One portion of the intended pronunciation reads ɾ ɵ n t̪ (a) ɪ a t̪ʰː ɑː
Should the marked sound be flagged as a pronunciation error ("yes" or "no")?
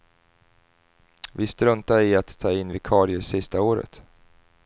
no